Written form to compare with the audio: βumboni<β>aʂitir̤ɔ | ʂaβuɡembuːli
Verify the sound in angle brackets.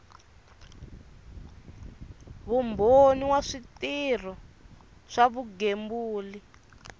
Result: incorrect: w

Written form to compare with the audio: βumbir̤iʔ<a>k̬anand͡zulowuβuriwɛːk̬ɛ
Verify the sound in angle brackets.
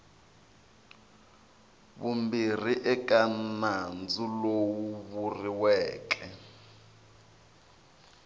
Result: incorrect: ɛ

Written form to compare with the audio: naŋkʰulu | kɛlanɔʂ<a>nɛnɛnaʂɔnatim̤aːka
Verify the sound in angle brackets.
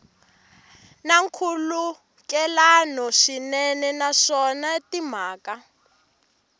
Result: incorrect: i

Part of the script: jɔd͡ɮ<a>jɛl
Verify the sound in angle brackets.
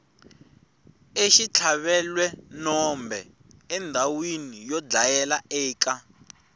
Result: correct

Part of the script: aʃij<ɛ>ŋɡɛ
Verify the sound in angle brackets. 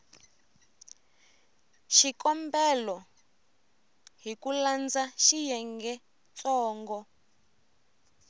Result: correct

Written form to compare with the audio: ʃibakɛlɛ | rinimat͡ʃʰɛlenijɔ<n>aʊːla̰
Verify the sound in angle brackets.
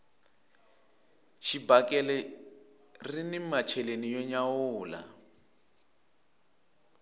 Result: incorrect: ɲ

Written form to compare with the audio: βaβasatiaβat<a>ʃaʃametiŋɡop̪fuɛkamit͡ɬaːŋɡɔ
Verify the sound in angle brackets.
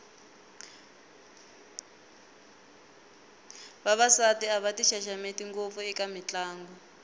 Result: incorrect: i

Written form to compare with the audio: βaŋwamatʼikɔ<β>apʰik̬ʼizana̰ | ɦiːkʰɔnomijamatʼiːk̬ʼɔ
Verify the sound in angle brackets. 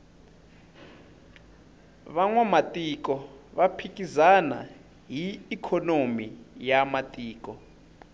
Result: correct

